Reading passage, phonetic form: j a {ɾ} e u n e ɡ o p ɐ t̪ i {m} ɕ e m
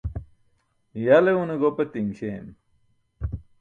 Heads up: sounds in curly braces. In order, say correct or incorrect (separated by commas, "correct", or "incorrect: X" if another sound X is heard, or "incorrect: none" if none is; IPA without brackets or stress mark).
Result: incorrect: l, incorrect: ŋ